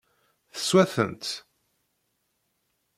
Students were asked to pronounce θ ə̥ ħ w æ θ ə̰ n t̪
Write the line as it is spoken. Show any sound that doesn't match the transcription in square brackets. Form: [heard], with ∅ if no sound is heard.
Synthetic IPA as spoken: θ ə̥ [s] w æ θ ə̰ n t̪